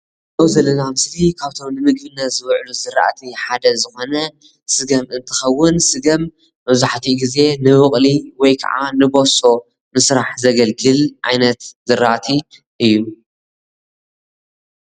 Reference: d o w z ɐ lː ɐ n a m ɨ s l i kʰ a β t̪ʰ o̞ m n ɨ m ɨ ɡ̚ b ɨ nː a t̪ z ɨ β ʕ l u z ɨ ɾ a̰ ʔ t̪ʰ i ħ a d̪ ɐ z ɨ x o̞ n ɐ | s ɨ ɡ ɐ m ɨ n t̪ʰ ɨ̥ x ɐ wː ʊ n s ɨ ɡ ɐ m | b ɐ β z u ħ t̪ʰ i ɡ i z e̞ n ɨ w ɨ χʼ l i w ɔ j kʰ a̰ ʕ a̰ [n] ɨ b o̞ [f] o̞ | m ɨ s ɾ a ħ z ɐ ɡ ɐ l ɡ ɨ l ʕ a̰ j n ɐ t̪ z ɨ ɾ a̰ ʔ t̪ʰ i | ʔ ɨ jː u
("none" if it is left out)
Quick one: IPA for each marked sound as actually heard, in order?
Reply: n, s

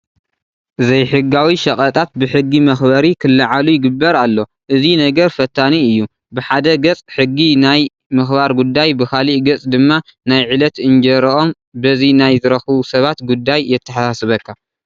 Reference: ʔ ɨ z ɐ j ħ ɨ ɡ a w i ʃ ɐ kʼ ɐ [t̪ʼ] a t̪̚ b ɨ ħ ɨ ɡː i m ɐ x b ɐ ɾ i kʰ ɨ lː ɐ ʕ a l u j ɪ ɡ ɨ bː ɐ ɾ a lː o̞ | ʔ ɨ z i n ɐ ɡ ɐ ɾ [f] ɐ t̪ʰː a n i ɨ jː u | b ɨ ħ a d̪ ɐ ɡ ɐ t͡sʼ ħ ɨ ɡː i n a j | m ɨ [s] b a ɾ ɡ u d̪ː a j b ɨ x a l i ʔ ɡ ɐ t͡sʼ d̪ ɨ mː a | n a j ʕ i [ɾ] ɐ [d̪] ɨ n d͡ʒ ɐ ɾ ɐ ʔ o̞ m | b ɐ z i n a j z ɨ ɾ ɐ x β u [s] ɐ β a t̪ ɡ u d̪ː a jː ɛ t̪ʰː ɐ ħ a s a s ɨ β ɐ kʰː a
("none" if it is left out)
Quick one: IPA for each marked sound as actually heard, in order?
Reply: t̪ʼ, f, x, l, t̪, s

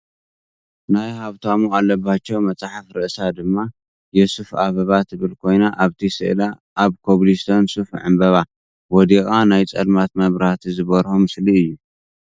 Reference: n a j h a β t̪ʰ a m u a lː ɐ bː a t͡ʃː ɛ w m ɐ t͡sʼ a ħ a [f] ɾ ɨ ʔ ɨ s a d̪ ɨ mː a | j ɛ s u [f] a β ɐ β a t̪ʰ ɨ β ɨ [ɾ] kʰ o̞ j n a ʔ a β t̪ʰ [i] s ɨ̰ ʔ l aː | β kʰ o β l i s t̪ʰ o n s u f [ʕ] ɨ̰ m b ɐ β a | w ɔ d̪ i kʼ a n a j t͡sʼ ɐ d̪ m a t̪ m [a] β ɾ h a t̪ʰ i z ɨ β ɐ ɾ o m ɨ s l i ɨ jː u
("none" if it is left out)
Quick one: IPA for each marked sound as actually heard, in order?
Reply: f, f, l, i, ʕ, ɐ

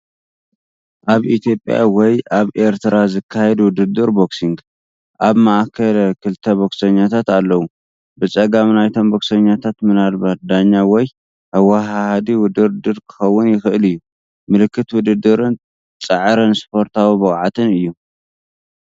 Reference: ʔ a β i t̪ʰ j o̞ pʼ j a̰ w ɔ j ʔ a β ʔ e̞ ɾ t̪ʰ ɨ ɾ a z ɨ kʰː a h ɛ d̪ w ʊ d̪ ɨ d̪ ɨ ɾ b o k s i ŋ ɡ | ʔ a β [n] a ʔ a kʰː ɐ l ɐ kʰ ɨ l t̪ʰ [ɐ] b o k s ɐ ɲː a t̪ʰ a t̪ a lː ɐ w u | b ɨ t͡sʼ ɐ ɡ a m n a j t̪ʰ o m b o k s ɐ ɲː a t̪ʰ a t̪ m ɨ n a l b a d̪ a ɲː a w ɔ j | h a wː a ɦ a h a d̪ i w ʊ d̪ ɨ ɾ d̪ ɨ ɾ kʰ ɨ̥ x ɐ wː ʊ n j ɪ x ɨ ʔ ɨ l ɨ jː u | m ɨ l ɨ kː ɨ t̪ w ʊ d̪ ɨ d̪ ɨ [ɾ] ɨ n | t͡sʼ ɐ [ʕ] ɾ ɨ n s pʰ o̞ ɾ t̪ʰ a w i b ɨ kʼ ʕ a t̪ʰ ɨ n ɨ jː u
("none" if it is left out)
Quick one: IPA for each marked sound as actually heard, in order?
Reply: m, ɐ, ɾ, ʕ

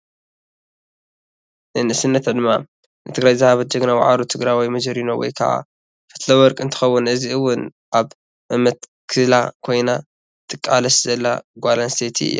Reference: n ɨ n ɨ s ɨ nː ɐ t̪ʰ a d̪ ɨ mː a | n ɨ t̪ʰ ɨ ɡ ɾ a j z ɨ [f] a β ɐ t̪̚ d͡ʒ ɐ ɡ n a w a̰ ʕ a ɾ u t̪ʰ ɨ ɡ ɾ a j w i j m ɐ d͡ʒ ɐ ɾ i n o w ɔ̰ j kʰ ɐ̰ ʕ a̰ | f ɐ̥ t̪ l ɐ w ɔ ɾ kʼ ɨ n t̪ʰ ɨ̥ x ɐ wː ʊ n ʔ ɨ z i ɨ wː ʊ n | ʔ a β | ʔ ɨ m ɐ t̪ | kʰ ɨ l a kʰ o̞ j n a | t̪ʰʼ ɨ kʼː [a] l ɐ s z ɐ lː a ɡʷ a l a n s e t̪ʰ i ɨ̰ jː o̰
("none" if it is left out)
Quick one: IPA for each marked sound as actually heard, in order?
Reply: h, a

